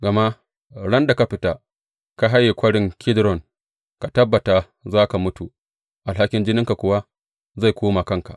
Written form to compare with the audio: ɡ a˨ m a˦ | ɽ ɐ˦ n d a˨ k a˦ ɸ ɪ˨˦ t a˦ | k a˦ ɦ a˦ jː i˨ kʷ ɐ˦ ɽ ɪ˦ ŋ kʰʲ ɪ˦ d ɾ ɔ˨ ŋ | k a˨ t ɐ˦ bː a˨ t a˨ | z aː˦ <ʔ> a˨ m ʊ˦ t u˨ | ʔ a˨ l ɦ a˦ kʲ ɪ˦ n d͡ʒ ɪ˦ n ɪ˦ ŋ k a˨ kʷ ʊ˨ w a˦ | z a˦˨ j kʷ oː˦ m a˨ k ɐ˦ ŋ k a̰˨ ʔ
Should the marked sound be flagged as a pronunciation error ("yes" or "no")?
yes